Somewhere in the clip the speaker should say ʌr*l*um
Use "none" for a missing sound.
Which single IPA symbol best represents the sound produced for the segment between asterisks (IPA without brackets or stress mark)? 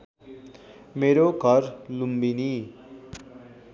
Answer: l